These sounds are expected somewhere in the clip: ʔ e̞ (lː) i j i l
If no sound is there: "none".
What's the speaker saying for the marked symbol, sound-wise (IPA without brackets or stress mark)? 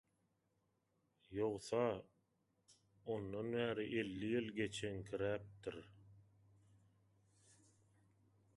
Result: lː